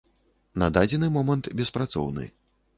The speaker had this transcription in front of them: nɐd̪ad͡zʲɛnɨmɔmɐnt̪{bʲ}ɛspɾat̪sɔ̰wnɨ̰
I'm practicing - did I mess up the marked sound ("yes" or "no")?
no